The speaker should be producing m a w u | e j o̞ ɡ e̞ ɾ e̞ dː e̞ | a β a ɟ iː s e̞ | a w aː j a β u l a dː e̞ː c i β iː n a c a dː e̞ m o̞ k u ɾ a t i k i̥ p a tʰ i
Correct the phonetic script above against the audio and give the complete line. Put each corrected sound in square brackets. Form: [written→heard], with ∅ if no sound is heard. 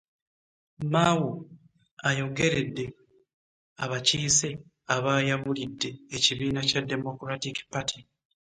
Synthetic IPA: m a w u | [e→a] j o̞ ɡ e̞ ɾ e̞ dː e̞ | a β a [ɟ→c] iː s e̞ | a [w→β] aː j a β u l [a→i] dː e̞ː c i β iː n a c a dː e̞ m o̞ k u ɾ a t i k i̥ p a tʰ i